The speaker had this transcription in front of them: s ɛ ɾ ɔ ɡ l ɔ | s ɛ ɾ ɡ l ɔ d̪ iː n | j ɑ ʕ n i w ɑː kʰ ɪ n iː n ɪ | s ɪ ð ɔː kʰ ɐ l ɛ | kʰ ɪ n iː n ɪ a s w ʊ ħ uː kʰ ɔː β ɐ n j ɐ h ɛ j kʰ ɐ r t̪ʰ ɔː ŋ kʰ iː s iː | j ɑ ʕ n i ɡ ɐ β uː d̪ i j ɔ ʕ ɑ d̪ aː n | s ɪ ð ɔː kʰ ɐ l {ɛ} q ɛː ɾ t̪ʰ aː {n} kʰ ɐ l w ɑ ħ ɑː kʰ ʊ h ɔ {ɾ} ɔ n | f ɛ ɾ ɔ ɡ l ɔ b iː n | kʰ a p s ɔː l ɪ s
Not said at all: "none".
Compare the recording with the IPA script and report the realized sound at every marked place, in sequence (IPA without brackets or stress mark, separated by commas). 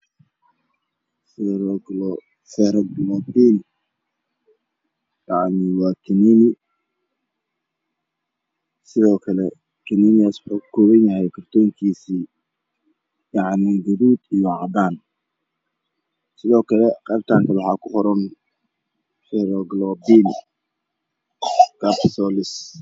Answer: ɛ, ŋ, ɾ